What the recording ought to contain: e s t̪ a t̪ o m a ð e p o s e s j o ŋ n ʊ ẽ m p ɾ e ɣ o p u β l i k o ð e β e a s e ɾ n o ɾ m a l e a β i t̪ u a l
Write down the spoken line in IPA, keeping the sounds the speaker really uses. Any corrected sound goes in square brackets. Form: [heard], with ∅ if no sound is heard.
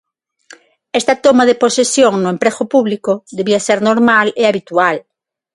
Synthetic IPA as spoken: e s t̪ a t̪ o m a ð e p o s e s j o ŋ n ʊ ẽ m p ɾ e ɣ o p u β l i k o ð e β [i] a s e ɾ n o ɾ m a l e a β i t̪ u a l